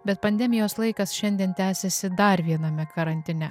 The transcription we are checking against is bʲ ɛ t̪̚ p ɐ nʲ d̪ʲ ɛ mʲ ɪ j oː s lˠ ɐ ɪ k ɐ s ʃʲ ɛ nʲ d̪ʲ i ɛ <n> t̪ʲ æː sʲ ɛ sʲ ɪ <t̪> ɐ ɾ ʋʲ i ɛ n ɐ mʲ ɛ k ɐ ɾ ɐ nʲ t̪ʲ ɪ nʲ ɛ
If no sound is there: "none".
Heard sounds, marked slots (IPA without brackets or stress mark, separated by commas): n, d̪